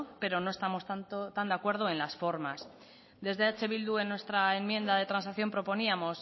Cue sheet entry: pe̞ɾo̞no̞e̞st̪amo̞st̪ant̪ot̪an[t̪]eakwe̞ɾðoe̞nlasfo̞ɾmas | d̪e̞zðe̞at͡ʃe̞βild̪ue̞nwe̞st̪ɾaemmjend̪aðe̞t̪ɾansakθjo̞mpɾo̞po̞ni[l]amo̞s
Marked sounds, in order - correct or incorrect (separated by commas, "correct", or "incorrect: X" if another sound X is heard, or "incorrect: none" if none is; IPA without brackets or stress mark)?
incorrect: d̪, incorrect: none